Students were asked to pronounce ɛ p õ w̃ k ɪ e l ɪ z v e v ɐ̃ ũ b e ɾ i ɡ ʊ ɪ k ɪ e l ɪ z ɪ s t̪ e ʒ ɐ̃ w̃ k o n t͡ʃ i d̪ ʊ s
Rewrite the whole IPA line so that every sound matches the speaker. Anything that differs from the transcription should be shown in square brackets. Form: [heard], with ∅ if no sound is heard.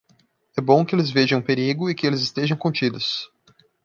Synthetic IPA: ɛ [b] õ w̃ k ɪ e l ɪ z v e [ʒ] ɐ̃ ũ [p] e ɾ i ɡ ʊ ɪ k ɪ e l ɪ z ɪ s t̪ e ʒ ɐ̃ w̃ k [õ] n t͡ʃ i d̪ ʊ s

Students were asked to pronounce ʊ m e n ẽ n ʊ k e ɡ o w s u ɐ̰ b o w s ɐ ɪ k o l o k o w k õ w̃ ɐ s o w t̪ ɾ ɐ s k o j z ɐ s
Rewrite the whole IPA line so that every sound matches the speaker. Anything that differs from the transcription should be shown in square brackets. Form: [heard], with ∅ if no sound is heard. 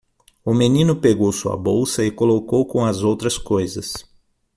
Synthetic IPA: ʊ m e n [ĩ] n ʊ [p] e ɡ o w s u ɐ̰ b o w s ɐ ɪ k o l o k o w k õ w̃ ɐ [z] o w t̪ ɾ ɐ s k o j z ɐ s

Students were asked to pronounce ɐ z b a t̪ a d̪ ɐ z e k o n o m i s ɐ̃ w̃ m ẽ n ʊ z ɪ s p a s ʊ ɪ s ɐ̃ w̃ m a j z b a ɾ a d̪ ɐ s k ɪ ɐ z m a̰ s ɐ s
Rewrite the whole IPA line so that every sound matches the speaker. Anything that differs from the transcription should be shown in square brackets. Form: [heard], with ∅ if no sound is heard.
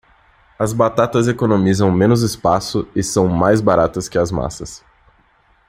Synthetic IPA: ɐ z b a t̪ a [t̪] ɐ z e k o n o m i [z] ɐ̃ w̃ m ẽ n ʊ z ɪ s p a s ʊ ɪ s ɐ̃ w̃ m a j z b a ɾ a [t̪] ɐ s k ɪ ɐ z m a̰ s ɐ s

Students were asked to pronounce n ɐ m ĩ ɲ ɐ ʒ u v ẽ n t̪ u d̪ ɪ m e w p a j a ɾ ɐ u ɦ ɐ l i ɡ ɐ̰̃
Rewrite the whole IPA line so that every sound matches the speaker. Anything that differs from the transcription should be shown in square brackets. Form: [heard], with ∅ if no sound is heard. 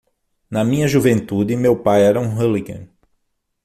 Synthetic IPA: n ɐ m ĩ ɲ ɐ ʒ u v ẽ n t̪ u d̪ ɪ m e w p a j [ɛ] ɾ ɐ [ũ] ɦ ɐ l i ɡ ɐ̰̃

